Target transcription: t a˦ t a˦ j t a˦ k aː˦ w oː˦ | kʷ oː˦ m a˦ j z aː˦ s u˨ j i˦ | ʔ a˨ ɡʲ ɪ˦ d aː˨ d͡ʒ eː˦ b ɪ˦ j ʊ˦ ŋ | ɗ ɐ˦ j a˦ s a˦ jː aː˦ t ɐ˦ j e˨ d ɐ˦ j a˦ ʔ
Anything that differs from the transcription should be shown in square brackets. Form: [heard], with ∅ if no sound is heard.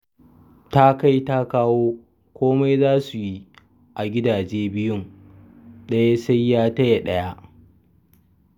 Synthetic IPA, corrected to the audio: t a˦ [k] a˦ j t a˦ k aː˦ w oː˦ | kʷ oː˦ m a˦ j z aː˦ s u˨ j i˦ | ʔ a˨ ɡʲ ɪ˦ d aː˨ d͡ʒ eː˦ b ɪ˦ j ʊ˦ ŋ | ɗ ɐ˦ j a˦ s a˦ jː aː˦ t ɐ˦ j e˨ [ɗ] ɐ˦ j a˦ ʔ

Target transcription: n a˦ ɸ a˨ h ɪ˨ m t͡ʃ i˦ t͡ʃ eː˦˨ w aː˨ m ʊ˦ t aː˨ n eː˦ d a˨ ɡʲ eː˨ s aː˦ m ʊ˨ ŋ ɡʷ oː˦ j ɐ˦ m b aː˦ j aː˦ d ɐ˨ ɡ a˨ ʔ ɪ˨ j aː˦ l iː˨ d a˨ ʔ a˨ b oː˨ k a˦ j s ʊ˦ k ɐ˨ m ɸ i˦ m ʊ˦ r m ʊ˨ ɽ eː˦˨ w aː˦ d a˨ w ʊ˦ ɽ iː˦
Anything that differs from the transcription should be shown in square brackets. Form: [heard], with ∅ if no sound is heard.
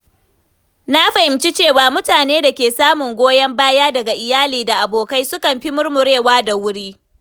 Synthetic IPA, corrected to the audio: n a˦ ɸ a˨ h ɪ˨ m t͡ʃ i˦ t͡ʃ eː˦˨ w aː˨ m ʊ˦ t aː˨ n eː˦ d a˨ [kʲ] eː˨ s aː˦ m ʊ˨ ŋ ɡʷ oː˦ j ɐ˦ m b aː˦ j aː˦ d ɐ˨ ɡ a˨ ʔ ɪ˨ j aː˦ l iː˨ d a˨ ʔ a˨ b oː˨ k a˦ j s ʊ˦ k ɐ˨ m ɸ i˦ m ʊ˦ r m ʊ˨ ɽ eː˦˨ w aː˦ d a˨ w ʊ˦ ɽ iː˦

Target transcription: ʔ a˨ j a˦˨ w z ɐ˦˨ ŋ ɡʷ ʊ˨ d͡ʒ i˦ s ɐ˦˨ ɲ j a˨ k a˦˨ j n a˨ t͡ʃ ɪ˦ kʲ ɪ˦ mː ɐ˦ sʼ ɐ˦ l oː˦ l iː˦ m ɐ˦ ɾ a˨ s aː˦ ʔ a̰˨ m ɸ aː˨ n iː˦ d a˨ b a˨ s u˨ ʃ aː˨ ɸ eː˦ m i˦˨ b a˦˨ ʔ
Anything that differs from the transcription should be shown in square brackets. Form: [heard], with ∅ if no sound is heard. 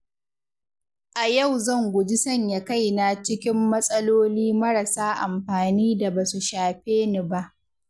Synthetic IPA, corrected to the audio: ʔ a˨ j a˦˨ w z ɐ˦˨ ŋ ɡʷ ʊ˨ d͡ʒ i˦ s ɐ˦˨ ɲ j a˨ k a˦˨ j n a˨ t͡ʃ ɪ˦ kʲ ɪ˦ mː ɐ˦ sʼ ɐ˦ l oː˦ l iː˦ m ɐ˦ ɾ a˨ s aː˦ ʔ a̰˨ m ɸ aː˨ n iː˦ d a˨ b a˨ s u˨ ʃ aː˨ ɸ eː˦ [n] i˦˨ b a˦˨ ʔ

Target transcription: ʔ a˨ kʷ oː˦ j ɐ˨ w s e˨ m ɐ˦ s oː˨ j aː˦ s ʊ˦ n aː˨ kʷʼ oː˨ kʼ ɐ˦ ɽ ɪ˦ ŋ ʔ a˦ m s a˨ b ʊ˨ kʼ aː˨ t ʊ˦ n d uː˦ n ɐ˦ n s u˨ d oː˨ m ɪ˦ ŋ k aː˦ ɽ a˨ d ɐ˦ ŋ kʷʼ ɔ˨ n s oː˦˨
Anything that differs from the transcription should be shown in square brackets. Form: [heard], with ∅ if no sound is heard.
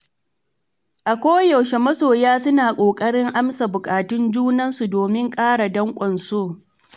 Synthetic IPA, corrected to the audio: ʔ a˨ kʷ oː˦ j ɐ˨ w [ʃ] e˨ m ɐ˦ s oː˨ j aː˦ s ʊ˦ n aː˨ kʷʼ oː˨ kʼ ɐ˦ ɽ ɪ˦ ŋ ʔ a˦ m s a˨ b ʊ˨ kʼ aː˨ t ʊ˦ n [d͡ʒ] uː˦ n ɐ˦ n s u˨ d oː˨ m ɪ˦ ŋ [kʼ] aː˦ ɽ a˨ d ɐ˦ ŋ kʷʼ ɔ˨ n s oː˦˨

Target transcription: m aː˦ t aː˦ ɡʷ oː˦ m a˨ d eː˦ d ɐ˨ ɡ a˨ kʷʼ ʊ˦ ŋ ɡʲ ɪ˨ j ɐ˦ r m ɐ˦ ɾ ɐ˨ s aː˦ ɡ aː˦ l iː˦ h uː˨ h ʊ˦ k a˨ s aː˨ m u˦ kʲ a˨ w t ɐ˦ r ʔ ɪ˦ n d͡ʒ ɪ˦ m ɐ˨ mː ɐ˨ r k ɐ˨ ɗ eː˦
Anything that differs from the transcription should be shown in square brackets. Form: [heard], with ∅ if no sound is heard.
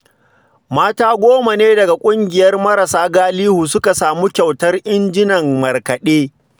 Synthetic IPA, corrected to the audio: m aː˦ t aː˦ ɡʷ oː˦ m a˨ [n] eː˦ d ɐ˨ ɡ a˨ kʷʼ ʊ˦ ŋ ɡʲ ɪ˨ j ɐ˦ r m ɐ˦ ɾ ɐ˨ s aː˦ ɡ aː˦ l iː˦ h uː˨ [s] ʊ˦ k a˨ s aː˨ m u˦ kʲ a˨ w t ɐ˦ r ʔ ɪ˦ n d͡ʒ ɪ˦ [n] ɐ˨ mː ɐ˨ r k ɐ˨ ɗ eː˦

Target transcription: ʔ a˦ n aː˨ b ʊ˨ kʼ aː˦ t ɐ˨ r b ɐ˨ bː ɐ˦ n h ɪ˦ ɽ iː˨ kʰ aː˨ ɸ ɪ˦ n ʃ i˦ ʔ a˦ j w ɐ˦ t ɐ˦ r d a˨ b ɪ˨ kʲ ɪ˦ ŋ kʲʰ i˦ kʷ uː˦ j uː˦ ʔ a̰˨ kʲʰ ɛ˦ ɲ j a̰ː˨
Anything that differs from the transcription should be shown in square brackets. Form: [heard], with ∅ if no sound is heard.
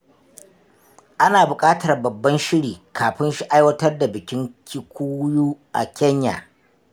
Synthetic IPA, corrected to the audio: ʔ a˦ n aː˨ b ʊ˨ kʼ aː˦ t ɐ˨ r b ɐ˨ bː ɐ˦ n [ʃ] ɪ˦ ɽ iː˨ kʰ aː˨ ɸ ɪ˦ n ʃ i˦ ʔ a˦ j w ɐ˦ t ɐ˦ r d a˨ b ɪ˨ kʲ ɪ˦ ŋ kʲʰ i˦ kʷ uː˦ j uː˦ ʔ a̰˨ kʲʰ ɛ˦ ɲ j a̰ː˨

